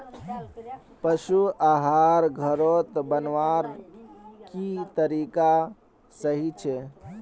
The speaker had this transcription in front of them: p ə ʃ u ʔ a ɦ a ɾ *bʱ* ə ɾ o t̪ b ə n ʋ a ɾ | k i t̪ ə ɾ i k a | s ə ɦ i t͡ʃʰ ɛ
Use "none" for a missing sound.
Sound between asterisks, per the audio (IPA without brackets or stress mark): ɡʱ